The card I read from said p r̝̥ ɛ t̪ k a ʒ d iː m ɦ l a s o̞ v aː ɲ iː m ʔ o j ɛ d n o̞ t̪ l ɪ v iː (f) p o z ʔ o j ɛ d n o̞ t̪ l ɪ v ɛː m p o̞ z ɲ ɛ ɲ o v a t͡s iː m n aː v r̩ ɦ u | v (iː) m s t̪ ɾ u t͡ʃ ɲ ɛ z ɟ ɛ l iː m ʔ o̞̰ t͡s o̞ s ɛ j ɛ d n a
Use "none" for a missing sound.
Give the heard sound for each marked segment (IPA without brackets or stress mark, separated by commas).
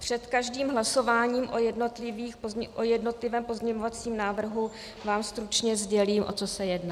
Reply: x, aː